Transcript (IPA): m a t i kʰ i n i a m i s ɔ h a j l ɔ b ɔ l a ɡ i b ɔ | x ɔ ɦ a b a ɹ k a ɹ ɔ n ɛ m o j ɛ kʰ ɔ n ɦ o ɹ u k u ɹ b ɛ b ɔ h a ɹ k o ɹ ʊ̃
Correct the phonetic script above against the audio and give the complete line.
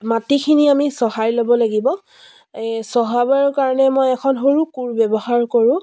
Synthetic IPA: m a t i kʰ i n i a m i s ɔ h a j l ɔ b ɔ l a ɡ i b ɔ | s ɔ ɦ a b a ɹ k a ɹ ɔ n ɛ m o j ɛ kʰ ɔ n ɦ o ɹ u k u ɹ b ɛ b ɔ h a ɹ k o ɹ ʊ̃